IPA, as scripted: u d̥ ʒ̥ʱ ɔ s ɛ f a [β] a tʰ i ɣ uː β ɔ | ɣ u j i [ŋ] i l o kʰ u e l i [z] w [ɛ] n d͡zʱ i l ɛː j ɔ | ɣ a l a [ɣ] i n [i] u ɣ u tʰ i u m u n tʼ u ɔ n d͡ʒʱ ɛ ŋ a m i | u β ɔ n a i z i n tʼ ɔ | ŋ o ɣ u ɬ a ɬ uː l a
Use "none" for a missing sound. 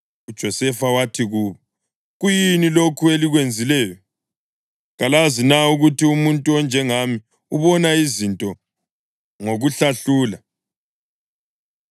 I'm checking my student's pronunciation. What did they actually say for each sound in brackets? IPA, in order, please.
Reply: w, n, ɣ, e, z, a

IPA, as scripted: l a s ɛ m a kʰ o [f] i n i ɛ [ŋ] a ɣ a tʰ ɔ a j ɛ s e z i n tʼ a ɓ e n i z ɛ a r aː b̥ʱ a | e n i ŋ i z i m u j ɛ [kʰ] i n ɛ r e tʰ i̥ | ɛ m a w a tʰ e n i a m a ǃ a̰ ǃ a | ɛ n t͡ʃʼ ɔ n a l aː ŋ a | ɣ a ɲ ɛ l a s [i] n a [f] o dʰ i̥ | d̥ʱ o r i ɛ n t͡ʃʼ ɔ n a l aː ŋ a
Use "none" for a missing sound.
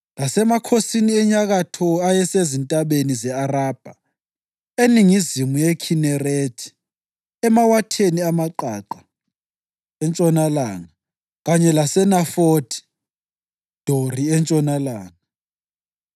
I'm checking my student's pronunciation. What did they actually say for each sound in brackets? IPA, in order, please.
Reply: s, ɲ, kʰ, ɛ, f

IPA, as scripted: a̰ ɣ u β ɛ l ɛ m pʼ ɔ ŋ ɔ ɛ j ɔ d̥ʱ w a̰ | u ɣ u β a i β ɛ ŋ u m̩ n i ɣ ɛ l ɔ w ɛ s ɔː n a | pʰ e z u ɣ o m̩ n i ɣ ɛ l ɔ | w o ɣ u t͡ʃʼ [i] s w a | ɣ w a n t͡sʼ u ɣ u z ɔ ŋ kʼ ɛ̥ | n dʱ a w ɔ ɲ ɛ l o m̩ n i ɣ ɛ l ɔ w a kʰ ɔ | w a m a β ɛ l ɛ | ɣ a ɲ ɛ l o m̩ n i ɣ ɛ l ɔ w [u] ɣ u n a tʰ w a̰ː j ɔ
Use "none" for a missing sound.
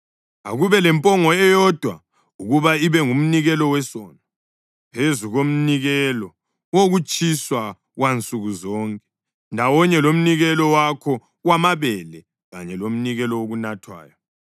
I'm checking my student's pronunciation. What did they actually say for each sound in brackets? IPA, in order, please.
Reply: i, o

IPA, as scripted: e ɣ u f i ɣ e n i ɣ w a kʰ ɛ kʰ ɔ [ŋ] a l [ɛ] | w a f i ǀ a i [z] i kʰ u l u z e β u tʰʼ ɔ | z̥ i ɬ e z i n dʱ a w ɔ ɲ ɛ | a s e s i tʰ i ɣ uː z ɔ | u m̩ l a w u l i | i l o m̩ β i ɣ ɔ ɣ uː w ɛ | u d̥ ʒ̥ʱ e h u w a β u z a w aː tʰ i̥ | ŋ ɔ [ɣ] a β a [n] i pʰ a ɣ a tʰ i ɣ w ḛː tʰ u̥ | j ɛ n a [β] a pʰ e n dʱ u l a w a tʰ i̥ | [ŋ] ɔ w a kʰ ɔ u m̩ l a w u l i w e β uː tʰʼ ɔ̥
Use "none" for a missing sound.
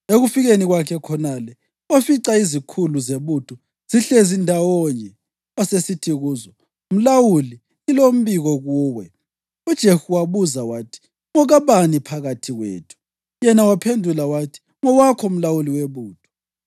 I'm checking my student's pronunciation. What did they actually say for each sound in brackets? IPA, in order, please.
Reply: n, ɛ, z, ɣ, n, w, ŋ

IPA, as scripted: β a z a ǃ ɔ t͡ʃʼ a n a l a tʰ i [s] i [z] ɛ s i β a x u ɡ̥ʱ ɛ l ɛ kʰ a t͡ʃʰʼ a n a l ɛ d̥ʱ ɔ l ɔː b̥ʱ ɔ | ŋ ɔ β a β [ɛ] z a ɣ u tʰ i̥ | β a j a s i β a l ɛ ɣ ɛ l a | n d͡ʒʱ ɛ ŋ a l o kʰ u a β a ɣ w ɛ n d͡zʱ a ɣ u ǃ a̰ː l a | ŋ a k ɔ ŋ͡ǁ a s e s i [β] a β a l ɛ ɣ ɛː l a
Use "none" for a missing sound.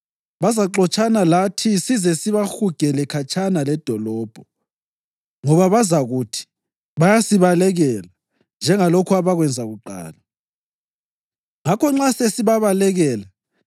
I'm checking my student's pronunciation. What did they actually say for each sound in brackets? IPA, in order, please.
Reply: s, z, a, β

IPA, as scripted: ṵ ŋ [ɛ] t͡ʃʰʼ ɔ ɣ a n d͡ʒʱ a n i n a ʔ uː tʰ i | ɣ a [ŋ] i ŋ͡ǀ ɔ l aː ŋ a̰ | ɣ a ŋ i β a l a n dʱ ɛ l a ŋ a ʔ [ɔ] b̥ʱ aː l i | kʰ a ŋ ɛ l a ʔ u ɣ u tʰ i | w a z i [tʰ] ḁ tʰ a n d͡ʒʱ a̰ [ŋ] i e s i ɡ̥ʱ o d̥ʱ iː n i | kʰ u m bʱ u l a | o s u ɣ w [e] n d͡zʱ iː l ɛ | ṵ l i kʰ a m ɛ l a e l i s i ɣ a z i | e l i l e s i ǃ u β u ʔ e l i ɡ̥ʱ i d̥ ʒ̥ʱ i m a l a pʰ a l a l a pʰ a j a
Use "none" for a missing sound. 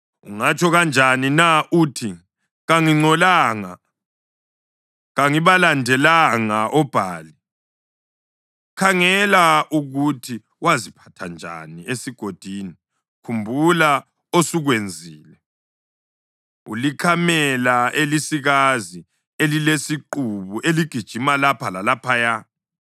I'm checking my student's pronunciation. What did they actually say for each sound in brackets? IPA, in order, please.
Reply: a, ŋ, ɔ, pʰ, n, e

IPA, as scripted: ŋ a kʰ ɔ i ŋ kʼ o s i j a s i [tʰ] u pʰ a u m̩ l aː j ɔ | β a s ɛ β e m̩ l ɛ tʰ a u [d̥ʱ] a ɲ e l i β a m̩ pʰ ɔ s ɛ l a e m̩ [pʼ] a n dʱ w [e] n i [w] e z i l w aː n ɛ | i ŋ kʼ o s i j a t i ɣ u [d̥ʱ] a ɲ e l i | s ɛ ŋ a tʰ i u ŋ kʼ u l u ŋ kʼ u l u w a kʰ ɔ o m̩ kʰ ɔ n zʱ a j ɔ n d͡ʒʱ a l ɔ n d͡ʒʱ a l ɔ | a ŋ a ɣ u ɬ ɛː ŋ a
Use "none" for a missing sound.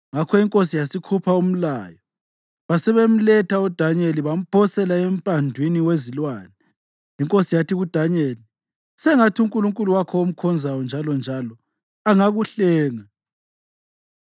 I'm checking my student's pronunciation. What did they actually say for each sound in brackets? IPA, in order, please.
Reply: kʰ, d̥ʱ, pʼ, i, w, d̥ʱ

